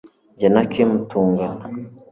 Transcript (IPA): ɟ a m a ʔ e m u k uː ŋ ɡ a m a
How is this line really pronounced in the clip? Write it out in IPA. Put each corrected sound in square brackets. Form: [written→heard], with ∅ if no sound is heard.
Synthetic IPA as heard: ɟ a [m→n] a [ʔ→k] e m u [k→t] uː ŋ ɡ a [m→n] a